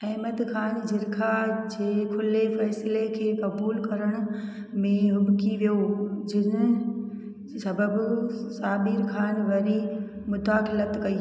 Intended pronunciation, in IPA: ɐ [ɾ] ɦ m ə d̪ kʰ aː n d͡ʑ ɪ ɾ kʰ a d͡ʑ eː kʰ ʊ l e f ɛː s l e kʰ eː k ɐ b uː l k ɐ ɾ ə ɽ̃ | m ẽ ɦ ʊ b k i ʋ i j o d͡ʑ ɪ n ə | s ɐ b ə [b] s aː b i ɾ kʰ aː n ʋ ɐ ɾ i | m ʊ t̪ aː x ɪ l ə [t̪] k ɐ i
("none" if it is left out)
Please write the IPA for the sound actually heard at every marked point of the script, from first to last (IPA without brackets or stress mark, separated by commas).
none, b, t̪